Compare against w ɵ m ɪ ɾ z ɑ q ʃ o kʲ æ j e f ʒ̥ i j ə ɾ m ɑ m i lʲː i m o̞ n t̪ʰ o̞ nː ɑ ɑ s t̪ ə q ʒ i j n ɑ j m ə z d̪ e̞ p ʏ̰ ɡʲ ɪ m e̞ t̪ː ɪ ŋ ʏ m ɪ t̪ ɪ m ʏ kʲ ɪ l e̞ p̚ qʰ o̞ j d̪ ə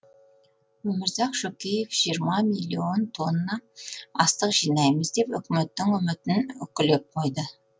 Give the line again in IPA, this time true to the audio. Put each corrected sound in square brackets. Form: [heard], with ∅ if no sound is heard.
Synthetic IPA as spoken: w ɵ m ɪ ɾ z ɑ q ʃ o kʲ [e] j e f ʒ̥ i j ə ɾ m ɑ m i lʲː i [∅] o̞ n t̪ʰ o̞ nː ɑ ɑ s t̪ ə q ʒ i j n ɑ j m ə z d̪ e̞ p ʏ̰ [kʲ] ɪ m e̞ t̪ː ɪ ŋ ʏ m ɪ t̪ ɪ [n] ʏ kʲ ɪ l e̞ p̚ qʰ o̞ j d̪ ə